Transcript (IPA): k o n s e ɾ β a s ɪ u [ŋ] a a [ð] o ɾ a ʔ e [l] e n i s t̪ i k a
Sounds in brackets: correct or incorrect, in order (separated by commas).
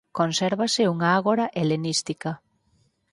correct, incorrect, correct